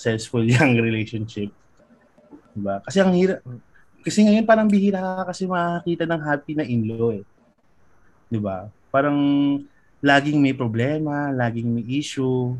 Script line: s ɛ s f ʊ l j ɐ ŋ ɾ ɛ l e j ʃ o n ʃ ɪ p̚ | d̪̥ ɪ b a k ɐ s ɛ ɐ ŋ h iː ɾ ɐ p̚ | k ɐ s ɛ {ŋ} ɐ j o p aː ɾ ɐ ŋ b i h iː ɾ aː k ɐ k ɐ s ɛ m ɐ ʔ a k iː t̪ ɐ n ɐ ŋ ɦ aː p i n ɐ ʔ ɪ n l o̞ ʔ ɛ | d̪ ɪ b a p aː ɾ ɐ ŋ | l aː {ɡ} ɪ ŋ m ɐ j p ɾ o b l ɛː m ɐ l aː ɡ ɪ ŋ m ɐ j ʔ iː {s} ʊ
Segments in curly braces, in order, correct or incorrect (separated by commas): correct, correct, incorrect